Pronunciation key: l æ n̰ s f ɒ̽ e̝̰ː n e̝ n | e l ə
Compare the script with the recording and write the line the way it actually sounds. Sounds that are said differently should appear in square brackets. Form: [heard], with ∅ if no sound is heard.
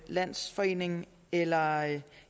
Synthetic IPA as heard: l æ n̰ s f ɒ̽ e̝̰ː n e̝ [ŋ] | e l [ɐ]